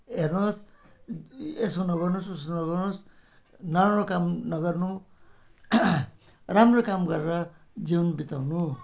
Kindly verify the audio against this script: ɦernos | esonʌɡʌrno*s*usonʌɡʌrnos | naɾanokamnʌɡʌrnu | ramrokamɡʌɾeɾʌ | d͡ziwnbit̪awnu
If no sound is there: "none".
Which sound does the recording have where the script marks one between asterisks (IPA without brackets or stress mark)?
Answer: s